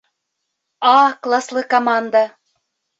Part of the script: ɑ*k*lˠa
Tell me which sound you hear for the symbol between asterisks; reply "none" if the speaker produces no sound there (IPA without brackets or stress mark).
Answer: k